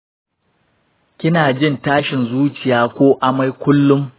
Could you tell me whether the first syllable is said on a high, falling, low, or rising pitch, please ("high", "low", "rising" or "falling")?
high